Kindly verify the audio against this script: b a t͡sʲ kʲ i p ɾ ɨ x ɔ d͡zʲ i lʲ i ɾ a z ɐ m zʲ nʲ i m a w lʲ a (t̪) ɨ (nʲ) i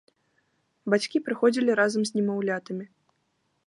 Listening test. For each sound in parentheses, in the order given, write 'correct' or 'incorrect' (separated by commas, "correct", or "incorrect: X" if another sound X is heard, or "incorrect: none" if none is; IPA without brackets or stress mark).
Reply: correct, incorrect: mʲ